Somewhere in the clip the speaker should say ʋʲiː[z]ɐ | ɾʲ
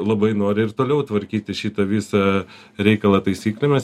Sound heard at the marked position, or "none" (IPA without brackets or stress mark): s